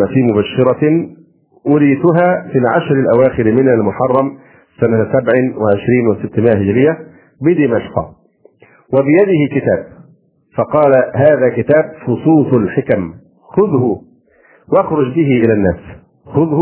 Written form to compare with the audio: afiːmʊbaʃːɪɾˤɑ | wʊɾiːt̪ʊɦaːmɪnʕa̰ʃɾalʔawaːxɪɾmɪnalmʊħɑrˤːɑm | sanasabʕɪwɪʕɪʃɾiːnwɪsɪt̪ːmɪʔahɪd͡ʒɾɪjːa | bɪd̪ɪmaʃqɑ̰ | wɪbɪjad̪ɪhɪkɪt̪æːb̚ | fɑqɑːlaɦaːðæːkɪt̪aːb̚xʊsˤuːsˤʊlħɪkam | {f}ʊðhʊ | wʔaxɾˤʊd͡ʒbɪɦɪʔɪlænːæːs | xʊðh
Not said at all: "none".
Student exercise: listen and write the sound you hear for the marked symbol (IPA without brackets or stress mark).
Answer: x